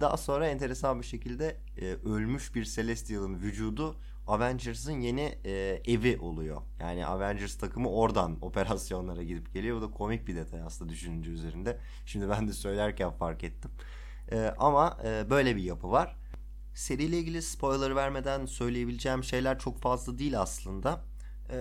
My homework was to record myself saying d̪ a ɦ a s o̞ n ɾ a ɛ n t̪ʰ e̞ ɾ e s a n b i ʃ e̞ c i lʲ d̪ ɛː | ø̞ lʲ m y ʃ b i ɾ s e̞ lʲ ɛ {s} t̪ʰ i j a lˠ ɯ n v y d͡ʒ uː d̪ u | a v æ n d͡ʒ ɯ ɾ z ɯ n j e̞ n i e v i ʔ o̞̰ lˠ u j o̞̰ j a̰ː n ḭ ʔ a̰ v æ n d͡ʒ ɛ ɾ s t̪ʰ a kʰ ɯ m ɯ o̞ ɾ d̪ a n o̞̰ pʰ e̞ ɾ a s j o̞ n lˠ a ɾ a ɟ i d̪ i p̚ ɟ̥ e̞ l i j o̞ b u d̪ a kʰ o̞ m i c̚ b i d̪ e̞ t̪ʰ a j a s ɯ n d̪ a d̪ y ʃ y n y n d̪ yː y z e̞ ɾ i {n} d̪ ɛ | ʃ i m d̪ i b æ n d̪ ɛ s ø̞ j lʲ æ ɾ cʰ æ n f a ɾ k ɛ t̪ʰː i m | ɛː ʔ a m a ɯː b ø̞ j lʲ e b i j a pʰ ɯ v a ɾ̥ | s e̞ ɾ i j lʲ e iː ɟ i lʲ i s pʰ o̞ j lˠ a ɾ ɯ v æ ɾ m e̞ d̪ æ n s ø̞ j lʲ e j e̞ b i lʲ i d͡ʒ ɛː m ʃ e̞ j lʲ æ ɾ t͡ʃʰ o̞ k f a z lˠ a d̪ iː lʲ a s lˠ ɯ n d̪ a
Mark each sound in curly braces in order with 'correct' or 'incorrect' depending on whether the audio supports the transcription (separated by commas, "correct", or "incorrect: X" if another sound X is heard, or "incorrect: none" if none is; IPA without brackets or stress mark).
correct, correct